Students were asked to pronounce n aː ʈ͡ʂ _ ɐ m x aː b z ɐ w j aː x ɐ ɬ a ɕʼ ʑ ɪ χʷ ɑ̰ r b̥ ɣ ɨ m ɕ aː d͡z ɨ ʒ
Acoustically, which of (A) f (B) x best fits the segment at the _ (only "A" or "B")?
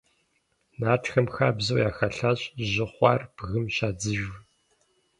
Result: B